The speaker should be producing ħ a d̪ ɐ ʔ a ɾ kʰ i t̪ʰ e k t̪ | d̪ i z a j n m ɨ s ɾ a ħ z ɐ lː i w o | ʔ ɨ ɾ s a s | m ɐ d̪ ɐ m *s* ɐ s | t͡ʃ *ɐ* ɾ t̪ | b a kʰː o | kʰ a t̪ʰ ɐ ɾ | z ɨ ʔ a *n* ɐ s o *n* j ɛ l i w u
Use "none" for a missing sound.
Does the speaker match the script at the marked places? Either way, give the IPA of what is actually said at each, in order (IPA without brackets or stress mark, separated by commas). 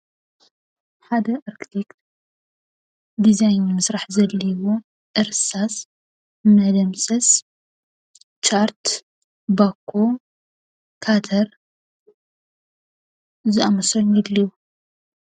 s, a, m, n